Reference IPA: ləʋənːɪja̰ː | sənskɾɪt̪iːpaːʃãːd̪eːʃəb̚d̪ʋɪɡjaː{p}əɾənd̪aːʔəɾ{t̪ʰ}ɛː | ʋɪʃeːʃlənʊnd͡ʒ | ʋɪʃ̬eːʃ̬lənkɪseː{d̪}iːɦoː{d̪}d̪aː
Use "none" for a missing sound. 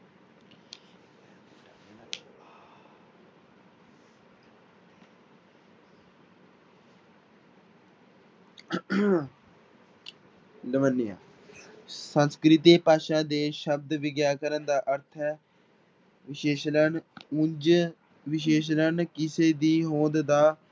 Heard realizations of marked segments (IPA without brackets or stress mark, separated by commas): k, t̪ʰ, d̪, d̪